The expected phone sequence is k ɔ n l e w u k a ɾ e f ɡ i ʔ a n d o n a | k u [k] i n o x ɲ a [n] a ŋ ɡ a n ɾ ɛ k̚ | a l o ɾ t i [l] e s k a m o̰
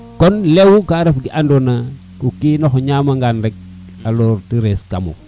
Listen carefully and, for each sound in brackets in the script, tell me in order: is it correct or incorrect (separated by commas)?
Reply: correct, incorrect, incorrect